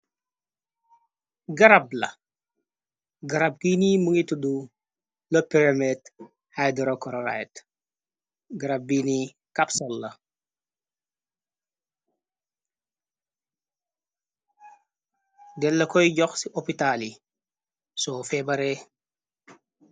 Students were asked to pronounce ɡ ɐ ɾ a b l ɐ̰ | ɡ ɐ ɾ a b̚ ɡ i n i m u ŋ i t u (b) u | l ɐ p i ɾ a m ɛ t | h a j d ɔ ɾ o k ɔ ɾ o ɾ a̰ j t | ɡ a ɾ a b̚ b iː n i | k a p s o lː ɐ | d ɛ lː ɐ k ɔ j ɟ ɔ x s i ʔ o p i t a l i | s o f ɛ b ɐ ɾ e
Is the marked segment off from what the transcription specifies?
yes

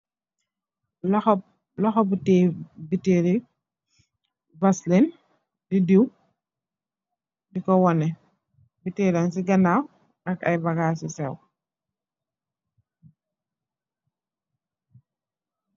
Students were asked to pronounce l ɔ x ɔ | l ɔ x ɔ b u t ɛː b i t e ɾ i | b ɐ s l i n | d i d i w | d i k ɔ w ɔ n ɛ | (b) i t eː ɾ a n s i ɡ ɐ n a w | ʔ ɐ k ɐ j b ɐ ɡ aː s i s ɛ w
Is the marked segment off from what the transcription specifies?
no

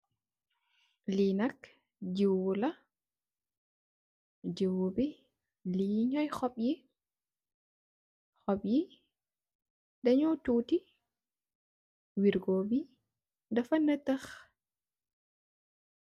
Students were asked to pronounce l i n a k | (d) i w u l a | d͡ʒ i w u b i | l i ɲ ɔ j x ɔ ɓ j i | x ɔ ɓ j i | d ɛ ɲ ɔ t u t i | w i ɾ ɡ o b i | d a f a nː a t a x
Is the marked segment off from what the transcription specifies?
yes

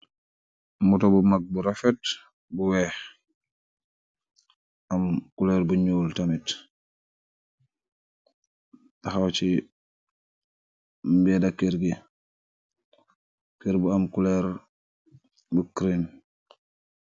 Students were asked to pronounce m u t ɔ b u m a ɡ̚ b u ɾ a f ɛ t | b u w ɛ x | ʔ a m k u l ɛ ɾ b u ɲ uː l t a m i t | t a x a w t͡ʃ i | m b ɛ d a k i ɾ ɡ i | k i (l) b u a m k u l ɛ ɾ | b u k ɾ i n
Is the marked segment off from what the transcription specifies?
yes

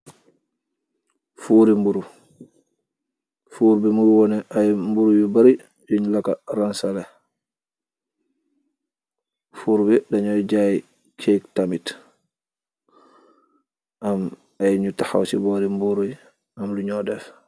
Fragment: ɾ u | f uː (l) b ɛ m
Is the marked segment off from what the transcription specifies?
yes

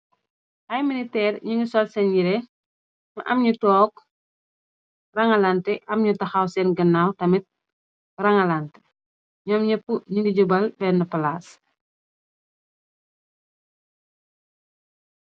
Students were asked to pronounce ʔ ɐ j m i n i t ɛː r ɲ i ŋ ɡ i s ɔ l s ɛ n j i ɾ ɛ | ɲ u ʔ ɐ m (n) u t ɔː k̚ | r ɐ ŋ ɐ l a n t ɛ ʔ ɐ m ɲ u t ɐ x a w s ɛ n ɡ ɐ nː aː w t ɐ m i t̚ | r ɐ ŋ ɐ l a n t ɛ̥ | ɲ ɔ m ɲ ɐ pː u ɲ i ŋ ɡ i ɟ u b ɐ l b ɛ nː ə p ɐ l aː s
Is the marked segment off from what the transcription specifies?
yes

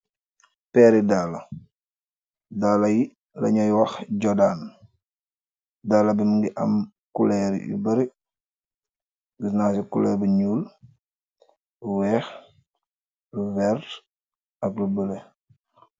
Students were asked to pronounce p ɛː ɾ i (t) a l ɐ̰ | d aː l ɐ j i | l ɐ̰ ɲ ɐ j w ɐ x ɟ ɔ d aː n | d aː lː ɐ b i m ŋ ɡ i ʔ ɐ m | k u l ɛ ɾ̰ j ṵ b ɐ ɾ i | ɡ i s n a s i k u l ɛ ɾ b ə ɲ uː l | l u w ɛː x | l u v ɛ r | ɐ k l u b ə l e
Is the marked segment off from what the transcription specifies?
yes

